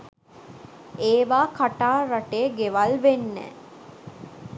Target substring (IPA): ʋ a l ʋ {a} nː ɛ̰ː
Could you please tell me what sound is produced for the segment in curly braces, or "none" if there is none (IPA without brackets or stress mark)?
e